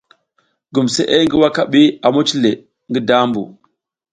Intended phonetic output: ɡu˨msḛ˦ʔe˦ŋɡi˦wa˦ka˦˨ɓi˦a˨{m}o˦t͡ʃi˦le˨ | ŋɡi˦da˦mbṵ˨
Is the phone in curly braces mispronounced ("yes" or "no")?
no